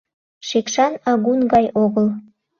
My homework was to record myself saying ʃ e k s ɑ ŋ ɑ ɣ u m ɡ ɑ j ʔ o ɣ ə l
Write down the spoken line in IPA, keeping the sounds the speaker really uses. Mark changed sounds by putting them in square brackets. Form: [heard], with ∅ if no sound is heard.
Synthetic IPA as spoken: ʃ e k [ʃ] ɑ [n] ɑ ɣ u [n] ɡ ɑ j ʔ o ɣ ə l